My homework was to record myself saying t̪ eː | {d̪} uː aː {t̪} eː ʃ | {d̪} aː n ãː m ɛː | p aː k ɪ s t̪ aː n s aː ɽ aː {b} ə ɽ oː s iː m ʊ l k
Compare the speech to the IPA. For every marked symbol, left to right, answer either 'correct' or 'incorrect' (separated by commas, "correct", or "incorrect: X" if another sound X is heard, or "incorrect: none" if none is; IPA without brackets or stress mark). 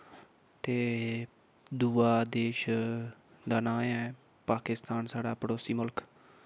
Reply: correct, incorrect: d̪, correct, incorrect: p